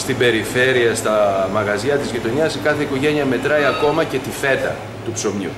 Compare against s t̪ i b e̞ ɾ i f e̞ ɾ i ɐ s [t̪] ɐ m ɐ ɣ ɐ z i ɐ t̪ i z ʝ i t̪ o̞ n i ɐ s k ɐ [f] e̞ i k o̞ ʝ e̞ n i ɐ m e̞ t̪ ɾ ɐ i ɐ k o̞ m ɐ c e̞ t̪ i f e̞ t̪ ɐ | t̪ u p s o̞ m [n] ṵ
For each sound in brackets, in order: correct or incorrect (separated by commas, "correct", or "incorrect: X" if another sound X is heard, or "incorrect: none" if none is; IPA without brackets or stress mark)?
correct, incorrect: θ, incorrect: ɲ